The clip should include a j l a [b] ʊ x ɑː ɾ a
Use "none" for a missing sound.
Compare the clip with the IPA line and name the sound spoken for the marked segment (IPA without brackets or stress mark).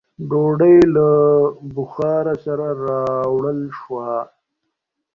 b